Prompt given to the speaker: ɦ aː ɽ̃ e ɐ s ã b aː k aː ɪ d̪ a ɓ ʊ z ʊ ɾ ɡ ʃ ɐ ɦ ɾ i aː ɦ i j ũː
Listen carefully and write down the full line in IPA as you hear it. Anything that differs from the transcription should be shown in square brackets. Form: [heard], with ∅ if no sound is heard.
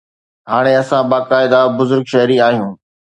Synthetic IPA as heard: ɦ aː ɽ̃ e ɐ s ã b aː k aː ɪ d̪ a [b] ʊ z ʊ ɾ ɡ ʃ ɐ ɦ ɾ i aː ɦ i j ũː